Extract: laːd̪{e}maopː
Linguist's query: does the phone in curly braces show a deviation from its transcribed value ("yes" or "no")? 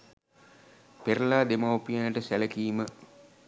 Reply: no